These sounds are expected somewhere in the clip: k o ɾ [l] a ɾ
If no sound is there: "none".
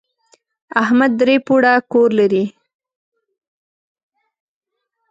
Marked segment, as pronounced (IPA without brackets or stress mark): l